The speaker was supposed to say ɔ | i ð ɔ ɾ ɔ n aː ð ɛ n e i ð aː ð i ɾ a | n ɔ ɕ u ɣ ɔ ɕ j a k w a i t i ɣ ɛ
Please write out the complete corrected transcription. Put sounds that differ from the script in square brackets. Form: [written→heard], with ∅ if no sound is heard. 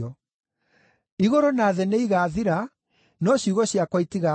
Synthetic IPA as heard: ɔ | i [ð→ɣ] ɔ ɾ ɔ n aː ð ɛ n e i [ð→ɣ] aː ð i ɾ a | n ɔ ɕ u ɣ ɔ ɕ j a k w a i t i ɣ [ɛ→a]